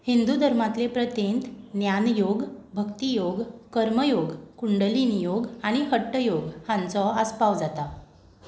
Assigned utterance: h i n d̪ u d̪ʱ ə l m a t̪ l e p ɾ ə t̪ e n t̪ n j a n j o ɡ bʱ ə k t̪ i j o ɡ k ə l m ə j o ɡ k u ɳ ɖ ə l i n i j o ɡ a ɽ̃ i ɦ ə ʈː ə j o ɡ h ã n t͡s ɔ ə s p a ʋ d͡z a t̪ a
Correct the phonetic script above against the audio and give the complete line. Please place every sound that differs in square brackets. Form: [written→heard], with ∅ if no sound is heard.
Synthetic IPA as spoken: h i n d̪ u d̪ʱ ə [l→ɾ] m a t̪ l e p ɾ ə t̪ e n t̪ n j a n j o ɡ bʱ ə k t̪ i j o ɡ k ə [l→ɾ] m ə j o ɡ k u ɳ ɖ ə l i n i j o ɡ a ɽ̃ i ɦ ə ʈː ə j o ɡ h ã n t͡s ɔ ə s p a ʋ d͡z a t̪ a